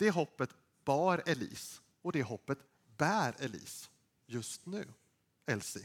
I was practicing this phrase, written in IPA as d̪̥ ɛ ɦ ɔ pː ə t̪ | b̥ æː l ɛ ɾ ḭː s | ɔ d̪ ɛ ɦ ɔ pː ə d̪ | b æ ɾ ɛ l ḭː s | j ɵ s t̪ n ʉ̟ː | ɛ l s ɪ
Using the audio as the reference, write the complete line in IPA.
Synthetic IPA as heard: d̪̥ ɛ ɦ ɔ pː ə t̪ | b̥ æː ɾ ɛ l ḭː s | ɔ d̪ ɛ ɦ ɔ pː ə t̪ | b æː ɾ ɛ l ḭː s | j ɵ s t̪ n ʉ̟ː | ɛ l s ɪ